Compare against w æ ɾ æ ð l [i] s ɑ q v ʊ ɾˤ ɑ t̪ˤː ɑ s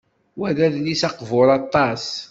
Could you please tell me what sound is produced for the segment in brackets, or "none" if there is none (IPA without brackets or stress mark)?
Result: i